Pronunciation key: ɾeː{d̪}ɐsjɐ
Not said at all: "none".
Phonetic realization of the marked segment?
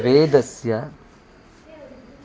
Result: d̪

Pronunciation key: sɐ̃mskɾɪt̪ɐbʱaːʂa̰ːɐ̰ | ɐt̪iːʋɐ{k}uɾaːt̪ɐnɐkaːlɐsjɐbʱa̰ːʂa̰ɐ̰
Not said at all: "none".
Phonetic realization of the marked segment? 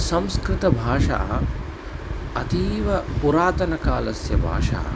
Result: p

